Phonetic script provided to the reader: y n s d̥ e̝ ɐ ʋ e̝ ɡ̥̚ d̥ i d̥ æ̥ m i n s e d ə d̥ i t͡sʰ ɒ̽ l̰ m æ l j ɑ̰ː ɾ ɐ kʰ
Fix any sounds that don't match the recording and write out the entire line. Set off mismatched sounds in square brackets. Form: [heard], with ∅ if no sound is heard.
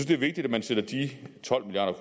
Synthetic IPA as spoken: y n s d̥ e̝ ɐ ʋ e̝ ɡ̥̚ d̥ i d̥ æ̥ m [æ] n s e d [ɐ] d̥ i t͡sʰ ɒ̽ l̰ m [i] l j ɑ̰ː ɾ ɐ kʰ